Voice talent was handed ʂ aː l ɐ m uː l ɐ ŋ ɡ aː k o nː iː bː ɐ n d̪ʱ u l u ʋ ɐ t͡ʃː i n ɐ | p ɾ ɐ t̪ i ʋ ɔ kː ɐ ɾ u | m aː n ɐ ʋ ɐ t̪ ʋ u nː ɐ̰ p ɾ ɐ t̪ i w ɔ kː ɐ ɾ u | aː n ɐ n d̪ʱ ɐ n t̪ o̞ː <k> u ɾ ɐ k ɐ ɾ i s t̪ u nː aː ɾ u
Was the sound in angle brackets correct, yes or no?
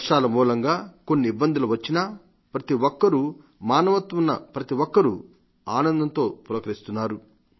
no